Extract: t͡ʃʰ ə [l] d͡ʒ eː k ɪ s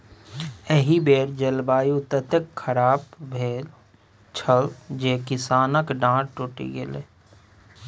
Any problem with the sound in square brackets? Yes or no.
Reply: no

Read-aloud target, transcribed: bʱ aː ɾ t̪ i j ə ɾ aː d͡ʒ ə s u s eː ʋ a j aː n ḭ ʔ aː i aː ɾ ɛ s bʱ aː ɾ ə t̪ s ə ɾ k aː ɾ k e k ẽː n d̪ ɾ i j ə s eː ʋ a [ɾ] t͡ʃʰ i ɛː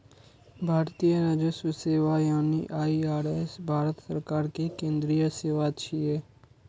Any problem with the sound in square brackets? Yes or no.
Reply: yes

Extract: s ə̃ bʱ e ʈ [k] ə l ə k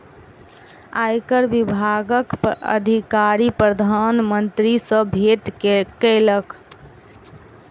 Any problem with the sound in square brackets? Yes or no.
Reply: no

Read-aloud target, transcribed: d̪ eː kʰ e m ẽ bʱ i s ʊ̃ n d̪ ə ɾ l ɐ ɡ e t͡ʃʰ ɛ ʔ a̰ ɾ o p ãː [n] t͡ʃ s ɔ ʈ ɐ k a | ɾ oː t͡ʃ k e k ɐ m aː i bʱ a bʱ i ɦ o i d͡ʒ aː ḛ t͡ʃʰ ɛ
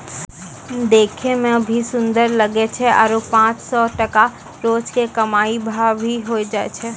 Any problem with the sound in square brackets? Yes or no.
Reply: yes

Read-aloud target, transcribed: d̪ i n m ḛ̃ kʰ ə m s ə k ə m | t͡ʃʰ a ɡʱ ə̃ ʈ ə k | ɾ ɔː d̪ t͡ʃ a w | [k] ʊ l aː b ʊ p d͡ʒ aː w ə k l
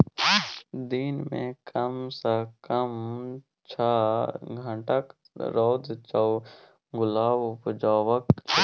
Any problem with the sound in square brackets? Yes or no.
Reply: yes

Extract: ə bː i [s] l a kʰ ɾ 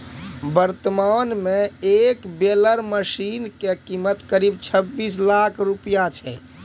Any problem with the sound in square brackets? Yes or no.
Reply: no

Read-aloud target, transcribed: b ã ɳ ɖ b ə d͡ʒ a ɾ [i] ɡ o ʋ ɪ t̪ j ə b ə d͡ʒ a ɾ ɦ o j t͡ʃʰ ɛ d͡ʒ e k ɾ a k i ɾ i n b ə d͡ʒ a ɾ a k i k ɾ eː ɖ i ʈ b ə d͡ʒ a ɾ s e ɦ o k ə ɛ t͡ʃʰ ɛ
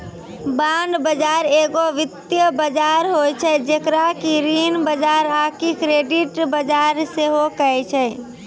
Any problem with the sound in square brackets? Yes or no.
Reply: yes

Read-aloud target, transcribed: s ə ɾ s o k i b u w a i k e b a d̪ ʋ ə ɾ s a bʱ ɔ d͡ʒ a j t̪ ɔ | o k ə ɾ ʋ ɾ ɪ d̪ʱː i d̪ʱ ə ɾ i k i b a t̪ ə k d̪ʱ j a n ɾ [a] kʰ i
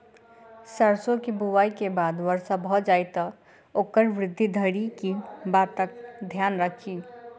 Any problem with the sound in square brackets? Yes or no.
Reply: yes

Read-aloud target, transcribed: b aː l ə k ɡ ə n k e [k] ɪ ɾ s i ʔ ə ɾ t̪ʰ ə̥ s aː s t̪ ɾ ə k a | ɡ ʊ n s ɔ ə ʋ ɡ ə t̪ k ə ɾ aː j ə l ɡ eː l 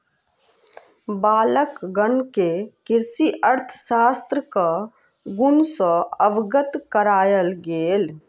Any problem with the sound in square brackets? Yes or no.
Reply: no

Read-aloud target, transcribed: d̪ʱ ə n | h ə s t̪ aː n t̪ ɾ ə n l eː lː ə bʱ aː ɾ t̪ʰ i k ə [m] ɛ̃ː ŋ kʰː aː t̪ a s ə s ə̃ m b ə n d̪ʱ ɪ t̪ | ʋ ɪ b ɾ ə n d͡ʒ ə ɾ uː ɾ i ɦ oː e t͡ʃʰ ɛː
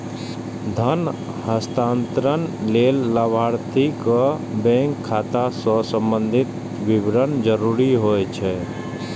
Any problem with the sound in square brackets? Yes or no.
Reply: yes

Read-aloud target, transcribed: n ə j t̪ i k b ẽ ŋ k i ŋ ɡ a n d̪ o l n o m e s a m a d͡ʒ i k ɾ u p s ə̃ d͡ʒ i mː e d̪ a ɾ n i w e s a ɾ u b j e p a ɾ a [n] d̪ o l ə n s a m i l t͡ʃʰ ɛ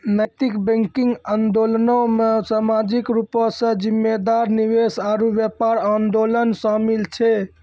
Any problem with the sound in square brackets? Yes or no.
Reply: no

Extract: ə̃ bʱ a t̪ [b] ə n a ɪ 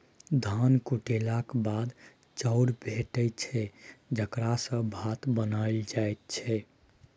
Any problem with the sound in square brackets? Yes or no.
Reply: no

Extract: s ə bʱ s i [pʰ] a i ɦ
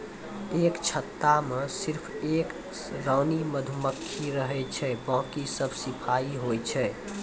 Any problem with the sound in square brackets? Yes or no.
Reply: no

